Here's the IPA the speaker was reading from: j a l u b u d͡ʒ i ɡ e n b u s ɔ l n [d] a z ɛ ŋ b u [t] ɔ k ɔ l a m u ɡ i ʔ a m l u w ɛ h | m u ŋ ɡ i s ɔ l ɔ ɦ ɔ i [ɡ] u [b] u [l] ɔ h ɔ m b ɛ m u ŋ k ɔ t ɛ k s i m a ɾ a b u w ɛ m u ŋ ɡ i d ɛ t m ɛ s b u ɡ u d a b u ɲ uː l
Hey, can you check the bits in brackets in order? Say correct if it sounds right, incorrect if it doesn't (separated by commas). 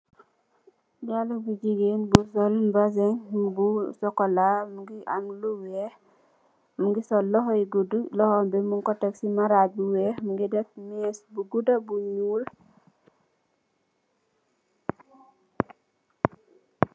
incorrect, incorrect, correct, incorrect, correct